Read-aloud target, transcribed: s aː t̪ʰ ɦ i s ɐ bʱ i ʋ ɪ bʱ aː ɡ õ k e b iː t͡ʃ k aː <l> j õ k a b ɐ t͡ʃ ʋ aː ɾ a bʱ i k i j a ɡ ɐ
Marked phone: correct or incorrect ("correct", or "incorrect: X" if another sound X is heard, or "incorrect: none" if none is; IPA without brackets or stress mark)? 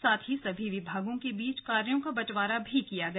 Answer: incorrect: ɾ